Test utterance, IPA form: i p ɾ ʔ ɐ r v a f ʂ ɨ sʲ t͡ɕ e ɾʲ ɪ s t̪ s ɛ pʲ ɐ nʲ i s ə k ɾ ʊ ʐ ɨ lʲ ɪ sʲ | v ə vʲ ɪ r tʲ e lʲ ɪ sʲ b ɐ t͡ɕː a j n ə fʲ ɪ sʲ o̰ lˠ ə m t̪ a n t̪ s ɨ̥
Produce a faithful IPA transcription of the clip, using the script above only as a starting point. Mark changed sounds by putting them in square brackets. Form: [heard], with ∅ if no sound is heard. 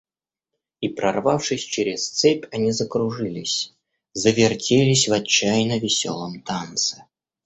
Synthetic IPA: i p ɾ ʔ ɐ r v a f ʂ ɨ sʲ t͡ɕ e ɾʲ ɪ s t̪ s ɛ pʲ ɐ nʲ i [z] ə k ɾ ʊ ʐ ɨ lʲ ɪ sʲ | [z] ə vʲ ɪ r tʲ e lʲ ɪ sʲ [v] ɐ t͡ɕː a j n ə [vʲ] ɪ sʲ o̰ lˠ ə m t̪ a n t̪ s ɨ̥